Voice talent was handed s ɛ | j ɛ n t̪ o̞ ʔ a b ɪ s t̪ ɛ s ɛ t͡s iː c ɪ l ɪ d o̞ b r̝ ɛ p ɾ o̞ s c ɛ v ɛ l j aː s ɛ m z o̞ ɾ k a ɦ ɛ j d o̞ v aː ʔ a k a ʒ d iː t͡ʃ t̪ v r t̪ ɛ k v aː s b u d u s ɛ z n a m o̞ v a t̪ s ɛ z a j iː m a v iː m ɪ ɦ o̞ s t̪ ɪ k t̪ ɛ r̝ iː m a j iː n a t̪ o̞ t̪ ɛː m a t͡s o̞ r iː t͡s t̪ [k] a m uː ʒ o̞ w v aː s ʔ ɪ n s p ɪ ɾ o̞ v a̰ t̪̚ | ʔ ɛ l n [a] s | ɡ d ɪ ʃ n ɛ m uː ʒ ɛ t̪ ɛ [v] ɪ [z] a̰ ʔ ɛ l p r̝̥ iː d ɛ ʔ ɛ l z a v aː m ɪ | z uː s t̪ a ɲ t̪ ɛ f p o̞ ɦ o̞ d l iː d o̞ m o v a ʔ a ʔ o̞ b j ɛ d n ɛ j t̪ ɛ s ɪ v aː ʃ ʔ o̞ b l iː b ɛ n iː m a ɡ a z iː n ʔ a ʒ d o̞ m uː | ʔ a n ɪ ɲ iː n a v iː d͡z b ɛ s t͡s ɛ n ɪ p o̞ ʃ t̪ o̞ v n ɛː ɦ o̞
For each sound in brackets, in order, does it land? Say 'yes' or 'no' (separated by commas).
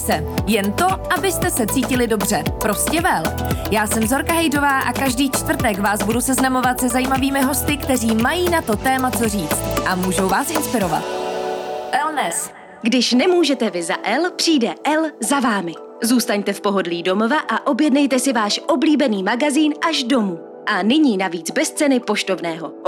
no, no, yes, yes